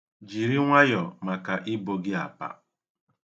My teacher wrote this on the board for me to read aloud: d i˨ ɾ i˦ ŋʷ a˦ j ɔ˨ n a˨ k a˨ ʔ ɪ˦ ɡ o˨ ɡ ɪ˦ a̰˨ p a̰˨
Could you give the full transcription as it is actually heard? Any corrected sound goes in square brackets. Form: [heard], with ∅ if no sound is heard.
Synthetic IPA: [d͡ʒ] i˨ ɾ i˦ ŋʷ a˦ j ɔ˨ [m] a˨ k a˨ ʔ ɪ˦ [b] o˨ ɡ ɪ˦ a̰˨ p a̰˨